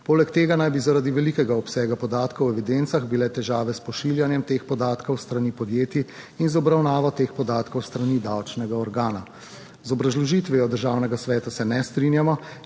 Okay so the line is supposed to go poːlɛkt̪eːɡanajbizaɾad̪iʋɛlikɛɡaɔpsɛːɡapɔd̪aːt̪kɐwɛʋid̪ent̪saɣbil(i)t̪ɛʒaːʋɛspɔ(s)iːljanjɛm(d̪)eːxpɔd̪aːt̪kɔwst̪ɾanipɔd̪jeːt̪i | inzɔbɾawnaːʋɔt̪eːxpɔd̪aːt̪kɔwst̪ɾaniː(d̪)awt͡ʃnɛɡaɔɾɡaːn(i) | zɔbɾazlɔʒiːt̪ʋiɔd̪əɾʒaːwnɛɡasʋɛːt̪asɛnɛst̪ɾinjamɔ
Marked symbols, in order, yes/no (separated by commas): no, no, no, yes, no